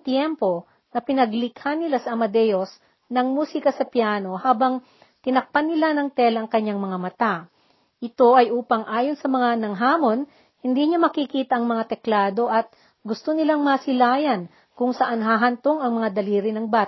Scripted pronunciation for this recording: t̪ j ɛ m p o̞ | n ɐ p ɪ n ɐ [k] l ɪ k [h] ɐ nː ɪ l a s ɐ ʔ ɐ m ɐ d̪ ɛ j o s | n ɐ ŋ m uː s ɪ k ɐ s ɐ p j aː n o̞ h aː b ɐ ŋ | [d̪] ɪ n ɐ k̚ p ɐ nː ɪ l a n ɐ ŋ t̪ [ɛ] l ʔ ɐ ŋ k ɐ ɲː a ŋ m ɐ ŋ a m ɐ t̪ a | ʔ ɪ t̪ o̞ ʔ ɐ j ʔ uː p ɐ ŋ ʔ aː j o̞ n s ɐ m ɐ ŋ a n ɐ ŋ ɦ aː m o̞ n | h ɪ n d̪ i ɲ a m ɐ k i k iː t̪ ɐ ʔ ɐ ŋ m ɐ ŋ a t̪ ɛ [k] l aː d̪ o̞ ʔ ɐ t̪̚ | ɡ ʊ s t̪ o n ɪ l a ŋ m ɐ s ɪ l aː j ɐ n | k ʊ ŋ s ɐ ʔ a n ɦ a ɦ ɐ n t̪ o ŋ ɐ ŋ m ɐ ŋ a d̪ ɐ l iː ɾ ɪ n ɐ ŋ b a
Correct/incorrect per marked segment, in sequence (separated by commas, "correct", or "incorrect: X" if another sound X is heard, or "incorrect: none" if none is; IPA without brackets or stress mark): incorrect: ɡ, correct, incorrect: t̪, correct, correct